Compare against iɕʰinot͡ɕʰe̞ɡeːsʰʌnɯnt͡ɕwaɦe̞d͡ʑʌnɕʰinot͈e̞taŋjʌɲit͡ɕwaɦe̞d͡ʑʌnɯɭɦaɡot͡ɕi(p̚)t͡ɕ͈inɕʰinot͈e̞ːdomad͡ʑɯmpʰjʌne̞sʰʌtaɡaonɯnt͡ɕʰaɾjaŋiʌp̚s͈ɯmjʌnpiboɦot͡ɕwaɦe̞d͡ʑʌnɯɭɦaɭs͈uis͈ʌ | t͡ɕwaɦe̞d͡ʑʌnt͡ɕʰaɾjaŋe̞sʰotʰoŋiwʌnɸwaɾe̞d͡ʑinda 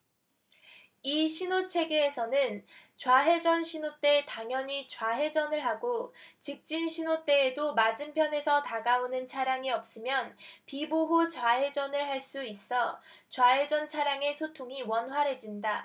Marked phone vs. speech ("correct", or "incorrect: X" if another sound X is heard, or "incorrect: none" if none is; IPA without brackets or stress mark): incorrect: k̚